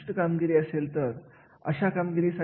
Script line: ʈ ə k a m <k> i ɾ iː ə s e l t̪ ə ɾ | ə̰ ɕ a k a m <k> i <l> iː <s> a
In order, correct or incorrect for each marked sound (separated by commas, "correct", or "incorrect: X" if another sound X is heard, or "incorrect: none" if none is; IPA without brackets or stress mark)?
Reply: incorrect: ɡ, incorrect: ɡ, incorrect: ɾ, correct